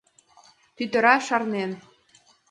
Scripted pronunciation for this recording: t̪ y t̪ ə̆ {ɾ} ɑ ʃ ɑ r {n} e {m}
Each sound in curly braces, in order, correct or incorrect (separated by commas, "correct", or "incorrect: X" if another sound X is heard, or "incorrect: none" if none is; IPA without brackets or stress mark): correct, correct, incorrect: n